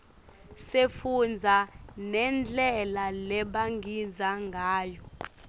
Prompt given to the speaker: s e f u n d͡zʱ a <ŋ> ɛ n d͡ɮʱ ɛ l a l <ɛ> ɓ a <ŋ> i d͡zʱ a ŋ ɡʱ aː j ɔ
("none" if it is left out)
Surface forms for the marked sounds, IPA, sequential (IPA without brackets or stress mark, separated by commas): n, ɛ, ŋ